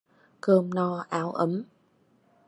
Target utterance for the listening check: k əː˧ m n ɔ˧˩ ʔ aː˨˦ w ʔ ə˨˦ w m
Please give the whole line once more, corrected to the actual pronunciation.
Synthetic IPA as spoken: k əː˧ m n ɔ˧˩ ʔ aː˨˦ w ʔ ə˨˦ m